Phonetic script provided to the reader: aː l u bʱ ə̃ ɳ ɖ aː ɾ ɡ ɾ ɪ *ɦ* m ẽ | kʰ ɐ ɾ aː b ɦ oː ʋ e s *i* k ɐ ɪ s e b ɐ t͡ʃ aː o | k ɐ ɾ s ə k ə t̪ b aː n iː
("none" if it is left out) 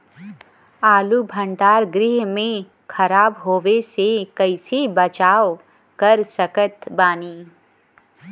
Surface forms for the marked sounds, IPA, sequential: ɦ, e

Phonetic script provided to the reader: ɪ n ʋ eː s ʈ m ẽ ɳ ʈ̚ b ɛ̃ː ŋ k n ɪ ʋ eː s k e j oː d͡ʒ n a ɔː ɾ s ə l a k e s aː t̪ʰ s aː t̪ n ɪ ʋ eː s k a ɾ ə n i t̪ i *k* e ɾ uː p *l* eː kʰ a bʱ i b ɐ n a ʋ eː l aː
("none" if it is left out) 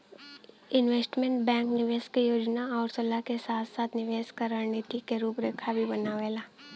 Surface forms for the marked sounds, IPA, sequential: k, ɾ

